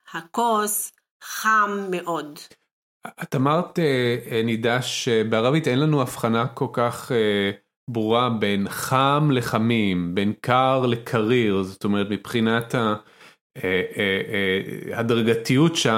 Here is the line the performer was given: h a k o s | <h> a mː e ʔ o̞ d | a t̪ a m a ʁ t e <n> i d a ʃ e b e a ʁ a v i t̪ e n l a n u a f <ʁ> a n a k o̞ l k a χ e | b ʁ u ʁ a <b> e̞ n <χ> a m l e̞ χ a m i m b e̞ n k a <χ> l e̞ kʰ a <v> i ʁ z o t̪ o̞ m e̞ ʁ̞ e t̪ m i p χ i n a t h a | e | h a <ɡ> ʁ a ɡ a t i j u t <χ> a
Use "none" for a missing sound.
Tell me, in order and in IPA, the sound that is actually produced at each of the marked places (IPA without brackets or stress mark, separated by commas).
χ, n, χ, b, χ, ʁ, ʁ, d, ʃ